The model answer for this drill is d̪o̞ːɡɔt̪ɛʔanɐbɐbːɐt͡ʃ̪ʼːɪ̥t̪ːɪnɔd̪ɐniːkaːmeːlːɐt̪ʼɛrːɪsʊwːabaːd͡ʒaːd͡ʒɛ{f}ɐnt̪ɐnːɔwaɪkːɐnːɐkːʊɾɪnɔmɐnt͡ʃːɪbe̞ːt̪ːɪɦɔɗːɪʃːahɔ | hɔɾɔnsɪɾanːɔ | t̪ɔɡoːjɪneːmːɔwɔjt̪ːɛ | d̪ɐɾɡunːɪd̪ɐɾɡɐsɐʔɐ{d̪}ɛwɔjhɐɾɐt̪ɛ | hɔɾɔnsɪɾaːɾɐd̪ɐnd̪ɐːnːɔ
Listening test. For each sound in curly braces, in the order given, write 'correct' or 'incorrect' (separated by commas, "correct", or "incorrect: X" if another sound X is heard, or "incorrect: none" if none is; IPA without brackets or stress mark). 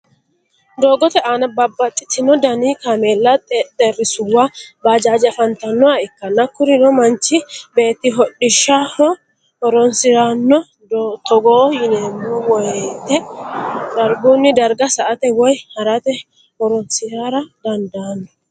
correct, incorrect: t̪